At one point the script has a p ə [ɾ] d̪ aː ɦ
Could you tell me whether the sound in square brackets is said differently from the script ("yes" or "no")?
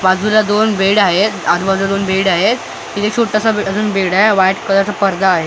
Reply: no